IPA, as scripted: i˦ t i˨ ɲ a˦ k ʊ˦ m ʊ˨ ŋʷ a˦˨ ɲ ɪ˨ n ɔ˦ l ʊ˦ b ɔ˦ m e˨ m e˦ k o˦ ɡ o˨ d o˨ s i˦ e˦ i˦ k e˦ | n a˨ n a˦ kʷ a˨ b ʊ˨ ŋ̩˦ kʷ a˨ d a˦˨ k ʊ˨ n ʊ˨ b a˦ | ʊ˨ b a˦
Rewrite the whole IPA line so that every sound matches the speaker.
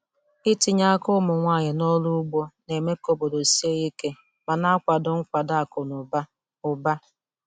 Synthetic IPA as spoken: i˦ t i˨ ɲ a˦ k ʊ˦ m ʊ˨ ŋʷ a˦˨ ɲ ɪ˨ n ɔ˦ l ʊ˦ ɡ͡b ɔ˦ n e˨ m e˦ k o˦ b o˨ d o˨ s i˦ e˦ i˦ k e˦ | m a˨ n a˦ kʷ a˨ d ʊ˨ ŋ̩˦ kʷ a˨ d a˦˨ k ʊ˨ n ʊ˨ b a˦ | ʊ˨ b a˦